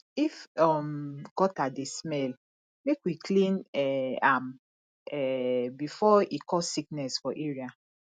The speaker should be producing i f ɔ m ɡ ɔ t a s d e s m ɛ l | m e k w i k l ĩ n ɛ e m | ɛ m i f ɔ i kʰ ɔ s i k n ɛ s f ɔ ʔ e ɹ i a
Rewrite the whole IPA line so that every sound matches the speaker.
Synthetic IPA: i f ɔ m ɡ ɔ t a d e s m ɛ l | m e k w i k l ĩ n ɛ a m | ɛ b i f ɔ i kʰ ɔ s i k n ɛ s f ɔ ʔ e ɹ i a